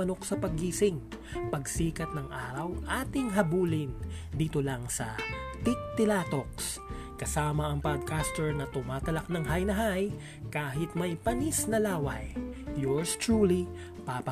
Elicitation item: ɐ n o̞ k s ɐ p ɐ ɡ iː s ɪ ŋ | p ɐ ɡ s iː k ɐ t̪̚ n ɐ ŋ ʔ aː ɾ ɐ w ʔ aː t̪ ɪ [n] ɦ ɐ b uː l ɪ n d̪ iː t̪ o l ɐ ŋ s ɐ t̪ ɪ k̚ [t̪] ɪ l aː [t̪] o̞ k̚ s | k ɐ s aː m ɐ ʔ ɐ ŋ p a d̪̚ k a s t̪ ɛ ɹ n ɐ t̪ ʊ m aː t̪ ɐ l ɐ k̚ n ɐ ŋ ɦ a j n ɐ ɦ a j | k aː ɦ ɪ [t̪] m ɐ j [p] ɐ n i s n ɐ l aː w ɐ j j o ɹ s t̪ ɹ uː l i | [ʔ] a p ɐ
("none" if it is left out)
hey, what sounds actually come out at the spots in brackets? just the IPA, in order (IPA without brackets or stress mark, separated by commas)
ŋ, t̪, t̪, t̪, p, p